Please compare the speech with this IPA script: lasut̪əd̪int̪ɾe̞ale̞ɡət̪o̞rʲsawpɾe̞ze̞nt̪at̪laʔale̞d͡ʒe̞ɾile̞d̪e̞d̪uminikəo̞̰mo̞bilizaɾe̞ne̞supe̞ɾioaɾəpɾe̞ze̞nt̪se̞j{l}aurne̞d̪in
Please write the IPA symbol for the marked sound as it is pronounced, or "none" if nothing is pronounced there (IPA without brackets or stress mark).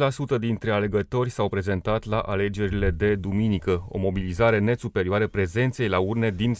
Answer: l